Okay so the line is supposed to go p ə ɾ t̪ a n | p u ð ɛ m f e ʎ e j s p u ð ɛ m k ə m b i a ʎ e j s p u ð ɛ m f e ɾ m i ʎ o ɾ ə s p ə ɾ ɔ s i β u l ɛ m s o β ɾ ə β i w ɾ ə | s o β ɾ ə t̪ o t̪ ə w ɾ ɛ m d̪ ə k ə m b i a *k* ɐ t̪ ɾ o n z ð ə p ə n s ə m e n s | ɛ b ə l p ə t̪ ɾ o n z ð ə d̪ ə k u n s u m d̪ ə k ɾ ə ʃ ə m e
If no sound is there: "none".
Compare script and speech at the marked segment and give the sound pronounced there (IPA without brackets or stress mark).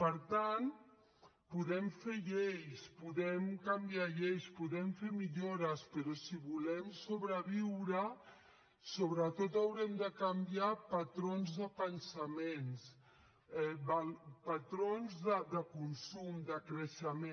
p